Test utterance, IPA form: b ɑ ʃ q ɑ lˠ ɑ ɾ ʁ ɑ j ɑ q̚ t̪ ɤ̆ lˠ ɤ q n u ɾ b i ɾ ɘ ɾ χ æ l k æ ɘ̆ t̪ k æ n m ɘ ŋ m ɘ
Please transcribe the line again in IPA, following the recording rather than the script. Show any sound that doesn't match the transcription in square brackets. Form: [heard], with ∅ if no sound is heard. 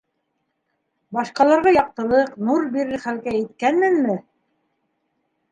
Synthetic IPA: b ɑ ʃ q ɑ lˠ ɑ ɾ ʁ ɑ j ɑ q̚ t̪ ɤ̆ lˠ ɤ q n u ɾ b i ɾ ɘ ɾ χ æ l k æ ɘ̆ t̪ k æ n m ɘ [n] m ɘ